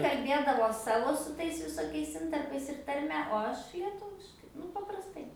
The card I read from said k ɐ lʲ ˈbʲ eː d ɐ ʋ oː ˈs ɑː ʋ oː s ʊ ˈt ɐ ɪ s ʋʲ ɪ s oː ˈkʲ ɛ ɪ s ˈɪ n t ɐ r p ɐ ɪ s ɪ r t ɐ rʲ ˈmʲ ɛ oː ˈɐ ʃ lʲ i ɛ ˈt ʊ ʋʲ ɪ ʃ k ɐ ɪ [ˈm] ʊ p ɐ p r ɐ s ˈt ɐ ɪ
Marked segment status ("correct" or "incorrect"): incorrect